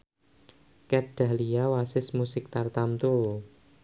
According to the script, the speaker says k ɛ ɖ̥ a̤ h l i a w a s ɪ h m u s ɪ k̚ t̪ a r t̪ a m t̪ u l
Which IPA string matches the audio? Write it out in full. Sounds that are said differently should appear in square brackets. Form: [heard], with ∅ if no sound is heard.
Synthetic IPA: k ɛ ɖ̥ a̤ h l i a w a s ɪ [s] m u s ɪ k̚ t̪ a r t̪ a m t̪ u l